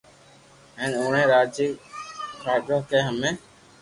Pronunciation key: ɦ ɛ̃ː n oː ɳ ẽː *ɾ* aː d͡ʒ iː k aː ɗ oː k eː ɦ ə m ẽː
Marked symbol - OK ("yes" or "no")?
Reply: yes